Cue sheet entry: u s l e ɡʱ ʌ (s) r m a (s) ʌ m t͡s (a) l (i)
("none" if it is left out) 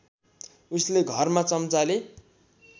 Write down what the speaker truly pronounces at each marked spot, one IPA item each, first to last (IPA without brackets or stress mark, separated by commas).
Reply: none, t͡s, a, e